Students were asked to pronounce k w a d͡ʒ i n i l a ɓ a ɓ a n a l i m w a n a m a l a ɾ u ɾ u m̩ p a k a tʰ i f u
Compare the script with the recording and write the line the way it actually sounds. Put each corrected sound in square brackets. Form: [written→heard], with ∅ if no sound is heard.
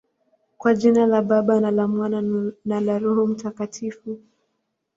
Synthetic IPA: k w a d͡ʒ i n [i→a] l a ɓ a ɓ a n a l [i→a] m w a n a [m→n] a l a ɾ u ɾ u m̩ [p→t] a k a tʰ i f u